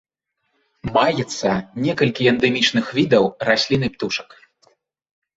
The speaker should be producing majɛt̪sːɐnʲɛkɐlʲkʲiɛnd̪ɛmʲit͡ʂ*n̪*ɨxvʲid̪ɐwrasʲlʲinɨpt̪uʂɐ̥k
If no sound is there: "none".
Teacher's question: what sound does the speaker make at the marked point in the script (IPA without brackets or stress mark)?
n̪